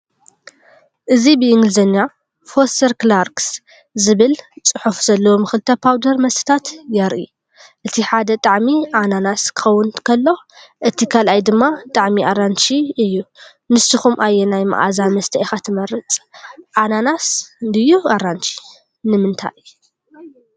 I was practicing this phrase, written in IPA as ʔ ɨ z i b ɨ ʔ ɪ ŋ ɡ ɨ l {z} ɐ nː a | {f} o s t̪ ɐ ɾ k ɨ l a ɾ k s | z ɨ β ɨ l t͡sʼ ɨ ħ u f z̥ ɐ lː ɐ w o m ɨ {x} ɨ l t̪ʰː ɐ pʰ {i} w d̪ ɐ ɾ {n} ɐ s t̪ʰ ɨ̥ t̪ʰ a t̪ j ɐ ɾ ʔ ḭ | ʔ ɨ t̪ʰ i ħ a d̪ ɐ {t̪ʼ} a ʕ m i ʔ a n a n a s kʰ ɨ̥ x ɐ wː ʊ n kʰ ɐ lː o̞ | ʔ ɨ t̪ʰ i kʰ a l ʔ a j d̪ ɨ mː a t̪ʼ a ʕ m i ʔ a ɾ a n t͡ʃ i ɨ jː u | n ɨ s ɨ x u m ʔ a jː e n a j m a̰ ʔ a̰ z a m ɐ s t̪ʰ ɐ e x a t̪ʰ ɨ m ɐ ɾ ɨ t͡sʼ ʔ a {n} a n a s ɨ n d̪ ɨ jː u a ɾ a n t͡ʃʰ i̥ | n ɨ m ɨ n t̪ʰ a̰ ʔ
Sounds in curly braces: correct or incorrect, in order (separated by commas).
correct, correct, correct, incorrect, incorrect, correct, correct